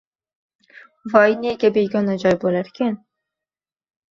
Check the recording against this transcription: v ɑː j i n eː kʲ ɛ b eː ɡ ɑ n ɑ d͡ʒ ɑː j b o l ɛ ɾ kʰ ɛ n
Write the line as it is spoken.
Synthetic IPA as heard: v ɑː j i n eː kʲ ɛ b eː ɡ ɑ n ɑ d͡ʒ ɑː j b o l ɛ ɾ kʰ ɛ n